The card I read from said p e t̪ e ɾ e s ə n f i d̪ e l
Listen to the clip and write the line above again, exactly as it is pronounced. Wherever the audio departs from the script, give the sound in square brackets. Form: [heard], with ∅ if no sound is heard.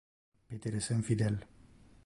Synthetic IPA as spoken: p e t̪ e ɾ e s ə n f i d̪ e l